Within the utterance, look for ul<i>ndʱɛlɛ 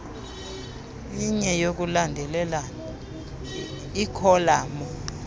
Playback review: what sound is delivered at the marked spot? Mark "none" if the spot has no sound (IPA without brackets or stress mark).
a